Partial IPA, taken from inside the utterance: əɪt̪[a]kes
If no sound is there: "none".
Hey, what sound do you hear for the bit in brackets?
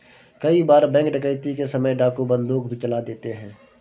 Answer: i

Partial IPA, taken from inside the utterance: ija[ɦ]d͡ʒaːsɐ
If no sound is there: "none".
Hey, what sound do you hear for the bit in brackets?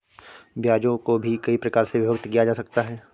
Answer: none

